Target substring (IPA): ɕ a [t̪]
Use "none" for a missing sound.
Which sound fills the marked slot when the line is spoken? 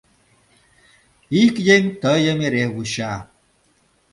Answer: none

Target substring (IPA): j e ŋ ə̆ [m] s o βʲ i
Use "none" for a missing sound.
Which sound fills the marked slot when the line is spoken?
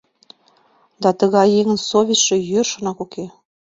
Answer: n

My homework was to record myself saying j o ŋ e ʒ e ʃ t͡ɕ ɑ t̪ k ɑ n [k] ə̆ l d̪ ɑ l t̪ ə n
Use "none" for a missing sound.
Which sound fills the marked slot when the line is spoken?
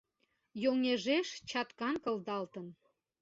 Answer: k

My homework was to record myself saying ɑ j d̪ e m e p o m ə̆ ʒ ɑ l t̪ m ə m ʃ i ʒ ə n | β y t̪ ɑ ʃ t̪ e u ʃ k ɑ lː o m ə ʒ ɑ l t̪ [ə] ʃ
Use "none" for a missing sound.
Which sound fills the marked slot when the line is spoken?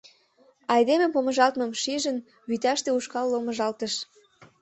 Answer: ə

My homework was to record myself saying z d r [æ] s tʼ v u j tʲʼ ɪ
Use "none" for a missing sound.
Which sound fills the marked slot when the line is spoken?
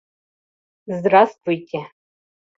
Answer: a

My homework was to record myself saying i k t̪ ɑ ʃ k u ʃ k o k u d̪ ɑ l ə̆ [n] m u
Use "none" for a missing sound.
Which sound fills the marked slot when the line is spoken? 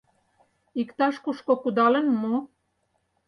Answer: n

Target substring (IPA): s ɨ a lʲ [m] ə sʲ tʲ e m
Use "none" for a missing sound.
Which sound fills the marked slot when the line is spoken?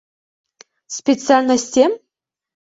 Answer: n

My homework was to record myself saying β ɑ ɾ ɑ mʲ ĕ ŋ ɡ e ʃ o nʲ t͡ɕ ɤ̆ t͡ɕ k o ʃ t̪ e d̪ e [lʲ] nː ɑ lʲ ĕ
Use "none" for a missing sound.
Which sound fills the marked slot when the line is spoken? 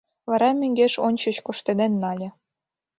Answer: none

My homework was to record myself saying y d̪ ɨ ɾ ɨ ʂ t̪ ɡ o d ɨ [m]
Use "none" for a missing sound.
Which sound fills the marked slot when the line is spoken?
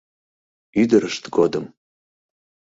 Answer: m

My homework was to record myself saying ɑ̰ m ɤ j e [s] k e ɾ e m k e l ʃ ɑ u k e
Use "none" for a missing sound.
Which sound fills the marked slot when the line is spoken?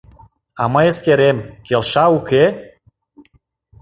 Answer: s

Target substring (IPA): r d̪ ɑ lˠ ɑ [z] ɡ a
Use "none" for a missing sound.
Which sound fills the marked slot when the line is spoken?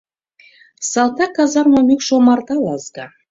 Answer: z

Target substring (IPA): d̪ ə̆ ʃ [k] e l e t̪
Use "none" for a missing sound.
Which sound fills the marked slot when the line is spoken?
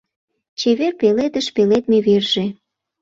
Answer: p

